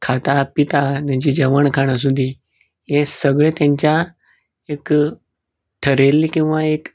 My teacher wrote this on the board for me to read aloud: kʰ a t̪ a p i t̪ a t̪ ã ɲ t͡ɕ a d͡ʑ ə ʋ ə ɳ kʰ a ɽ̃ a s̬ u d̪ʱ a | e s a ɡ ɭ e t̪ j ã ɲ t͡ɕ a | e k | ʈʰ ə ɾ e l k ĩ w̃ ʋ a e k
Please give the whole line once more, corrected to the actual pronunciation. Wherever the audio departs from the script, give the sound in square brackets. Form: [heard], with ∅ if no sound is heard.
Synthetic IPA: kʰ a t̪ a p i t̪ a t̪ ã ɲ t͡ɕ [i] d͡ʑ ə ʋ ə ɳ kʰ a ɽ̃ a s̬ u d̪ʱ [i] | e s [ə] ɡ ɭ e t̪ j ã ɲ t͡ɕ a | e k | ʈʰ ə ɾ e l k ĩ w̃ ʋ a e k